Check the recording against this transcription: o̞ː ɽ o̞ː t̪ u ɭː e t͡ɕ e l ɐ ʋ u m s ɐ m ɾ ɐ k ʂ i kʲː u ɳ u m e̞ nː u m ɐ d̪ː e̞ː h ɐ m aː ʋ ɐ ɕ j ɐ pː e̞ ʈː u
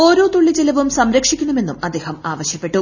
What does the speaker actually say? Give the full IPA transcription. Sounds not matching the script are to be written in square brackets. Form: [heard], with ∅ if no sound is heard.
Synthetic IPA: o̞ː [ɾ] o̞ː t̪ u ɭː [i] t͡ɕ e l ɐ ʋ u m s ɐ m ɾ ɐ k ʂ i kʲː u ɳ u m e̞ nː u m ɐ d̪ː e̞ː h ɐ m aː ʋ ɐ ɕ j ɐ pː e̞ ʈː u

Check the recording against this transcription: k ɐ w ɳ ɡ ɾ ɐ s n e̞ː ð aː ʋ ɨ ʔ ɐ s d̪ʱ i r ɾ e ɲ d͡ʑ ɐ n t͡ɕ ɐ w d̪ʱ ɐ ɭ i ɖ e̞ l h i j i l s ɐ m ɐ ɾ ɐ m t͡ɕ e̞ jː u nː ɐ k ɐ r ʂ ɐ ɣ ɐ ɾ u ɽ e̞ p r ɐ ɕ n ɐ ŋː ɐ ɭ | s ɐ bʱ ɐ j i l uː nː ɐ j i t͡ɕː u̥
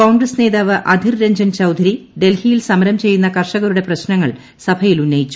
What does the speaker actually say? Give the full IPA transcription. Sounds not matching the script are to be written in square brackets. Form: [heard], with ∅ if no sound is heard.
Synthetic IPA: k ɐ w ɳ ɡ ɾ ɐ s n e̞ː ð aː ʋ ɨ ʔ ɐ [∅] d̪ʱ i r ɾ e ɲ d͡ʑ ɐ n t͡ɕ ɐ w d̪ʱ ɐ [ɾ] i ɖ e̞ l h i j i l s ɐ m ɐ ɾ ɐ m t͡ɕ e̞ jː u nː ɐ k ɐ r ʂ ɐ ɣ ɐ ɾ u ɽ e̞ p r ɐ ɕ n ɐ ŋː ɐ ɭ | s ɐ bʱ ɐ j i l [u] nː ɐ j i t͡ɕː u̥

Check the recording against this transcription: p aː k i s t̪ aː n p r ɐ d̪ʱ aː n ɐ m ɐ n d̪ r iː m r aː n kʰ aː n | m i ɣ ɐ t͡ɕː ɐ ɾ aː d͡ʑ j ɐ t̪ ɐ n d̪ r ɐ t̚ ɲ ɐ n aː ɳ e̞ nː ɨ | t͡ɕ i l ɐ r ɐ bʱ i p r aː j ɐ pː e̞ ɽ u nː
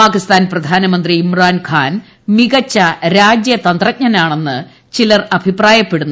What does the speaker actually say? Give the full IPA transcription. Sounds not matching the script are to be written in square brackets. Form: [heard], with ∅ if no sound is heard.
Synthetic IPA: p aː k i s t̪ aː n p r ɐ d̪ʱ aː n ɐ m ɐ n d̪ r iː m r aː n kʰ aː n | m i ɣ ɐ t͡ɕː ɐ ɾ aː d͡ʑ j ɐ t̪ ɐ n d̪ r ɐ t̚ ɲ ɐ n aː ɳ e̞ nː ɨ | t͡ɕ i l ɐ r ɐ bʱ i p r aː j ɐ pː e̞ ɽ u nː

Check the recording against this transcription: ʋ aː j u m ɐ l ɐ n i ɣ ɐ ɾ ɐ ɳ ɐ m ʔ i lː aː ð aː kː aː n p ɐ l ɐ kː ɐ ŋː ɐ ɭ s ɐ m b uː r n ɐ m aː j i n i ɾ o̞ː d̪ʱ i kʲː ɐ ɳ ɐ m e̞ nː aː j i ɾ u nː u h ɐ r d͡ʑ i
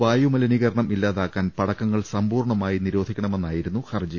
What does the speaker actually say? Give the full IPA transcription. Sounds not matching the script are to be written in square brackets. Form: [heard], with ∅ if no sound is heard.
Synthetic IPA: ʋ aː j u m ɐ l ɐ n i ɣ ɐ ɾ ɐ ɳ ɐ m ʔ i lː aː ð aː kː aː n p ɐ [ɽ] ɐ kː ɐ ŋː ɐ ɭ s ɐ m b uː r [ɳ] ɐ m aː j i n i ɾ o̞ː d̪ʱ i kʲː ɐ ɳ ɐ m e̞ nː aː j i ɾ u nː u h ɐ r d͡ʑ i

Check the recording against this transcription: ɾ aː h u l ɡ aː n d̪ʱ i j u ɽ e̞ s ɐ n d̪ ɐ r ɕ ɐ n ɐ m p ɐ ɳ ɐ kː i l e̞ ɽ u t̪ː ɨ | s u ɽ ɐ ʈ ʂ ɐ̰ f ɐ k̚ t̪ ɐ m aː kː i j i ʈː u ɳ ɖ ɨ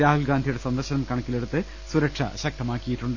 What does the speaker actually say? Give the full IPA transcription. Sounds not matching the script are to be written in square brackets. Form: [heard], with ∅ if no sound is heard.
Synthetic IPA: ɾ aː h u l ɡ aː n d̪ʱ i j u ɽ e̞ s ɐ n d̪ ɐ r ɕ ɐ n ɐ m [k] ɐ ɳ ɐ kː i l e̞ ɽ u t̪ː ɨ | s u [ɾ] ɐ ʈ ʂ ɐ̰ [ɕ] ɐ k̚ t̪ ɐ m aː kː i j i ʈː u ɳ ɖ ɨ

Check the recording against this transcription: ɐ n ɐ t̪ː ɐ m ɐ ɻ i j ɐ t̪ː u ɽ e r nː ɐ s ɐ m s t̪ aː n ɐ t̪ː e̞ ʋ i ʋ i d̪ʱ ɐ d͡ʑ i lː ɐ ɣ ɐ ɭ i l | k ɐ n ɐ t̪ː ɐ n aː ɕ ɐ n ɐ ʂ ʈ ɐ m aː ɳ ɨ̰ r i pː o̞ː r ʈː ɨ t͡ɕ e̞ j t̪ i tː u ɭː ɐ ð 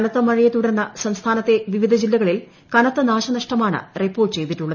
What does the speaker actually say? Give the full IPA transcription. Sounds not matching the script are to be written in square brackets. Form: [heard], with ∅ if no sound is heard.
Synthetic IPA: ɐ n ɐ t̪ː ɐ m ɐ ɻ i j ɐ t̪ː u ɽ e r nː ɐ s ɐ m s [t̪ʰ] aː n ɐ t̪ː e̞ ʋ i ʋ i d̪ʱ ɐ d͡ʑ i lː ɐ ɣ ɐ ɭ i l | k ɐ n ɐ t̪ː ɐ n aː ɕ ɐ n ɐ ʂ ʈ ɐ m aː ɳ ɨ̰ r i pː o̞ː r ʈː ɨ t͡ɕ e̞ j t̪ i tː u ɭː ɐ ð

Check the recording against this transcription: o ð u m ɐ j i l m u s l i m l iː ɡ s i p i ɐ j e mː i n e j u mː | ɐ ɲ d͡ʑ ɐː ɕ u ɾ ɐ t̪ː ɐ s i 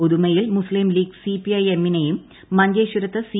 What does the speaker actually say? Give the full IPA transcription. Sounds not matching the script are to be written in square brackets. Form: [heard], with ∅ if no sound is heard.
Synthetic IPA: o ð u m ɐ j i l m u s l i m l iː ɡ s i p i ɐ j e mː i n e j u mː | ɐ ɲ d͡ʑ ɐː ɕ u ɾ ɐ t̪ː ɐ s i

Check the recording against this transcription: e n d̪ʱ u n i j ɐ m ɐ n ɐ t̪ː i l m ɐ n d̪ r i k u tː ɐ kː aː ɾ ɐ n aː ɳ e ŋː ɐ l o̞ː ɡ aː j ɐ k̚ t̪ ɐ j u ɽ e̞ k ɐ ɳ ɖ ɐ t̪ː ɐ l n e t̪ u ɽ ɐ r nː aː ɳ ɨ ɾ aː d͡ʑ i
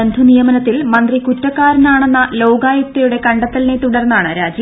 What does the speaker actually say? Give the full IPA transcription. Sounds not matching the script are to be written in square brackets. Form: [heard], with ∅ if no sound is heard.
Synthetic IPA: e n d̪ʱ u n i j ɐ m ɐ n ɐ t̪ː i l m ɐ n d̪ r i k u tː ɐ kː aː ɾ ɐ n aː ɳ e [nː] ɐ l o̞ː ɡ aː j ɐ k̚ t̪ ɐ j u ɽ e̞ k ɐ ɳ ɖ ɐ t̪ː ɐ l n e t̪ u ɽ ɐ r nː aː ɳ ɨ ɾ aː d͡ʑ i

